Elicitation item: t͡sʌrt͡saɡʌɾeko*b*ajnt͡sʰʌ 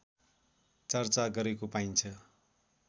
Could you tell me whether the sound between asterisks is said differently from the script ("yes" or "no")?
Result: yes